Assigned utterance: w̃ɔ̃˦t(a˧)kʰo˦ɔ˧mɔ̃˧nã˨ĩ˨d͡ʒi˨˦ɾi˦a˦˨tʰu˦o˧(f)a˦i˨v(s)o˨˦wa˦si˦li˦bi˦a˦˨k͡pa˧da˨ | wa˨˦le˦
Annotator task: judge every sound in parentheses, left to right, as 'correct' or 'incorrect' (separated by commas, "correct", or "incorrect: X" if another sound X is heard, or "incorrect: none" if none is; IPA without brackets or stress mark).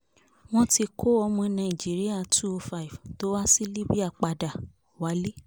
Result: incorrect: i˧, correct, incorrect: t